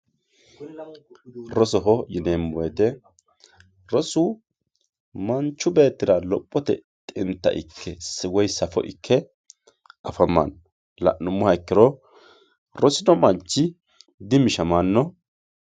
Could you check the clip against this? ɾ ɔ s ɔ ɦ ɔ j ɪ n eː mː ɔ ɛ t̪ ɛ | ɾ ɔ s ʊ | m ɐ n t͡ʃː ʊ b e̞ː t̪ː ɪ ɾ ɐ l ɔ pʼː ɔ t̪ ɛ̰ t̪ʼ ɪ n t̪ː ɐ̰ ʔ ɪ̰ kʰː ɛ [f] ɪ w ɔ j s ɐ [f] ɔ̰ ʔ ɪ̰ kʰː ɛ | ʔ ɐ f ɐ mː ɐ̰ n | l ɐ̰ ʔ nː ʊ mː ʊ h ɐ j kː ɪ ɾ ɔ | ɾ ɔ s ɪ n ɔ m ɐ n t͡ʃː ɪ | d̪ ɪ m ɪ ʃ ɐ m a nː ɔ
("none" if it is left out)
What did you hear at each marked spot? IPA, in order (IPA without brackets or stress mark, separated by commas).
s, f